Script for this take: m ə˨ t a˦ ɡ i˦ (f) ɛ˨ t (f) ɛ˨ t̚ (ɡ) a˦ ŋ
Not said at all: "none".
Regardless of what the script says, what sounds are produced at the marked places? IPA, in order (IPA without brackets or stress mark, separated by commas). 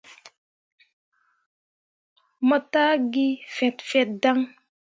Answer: f, f, d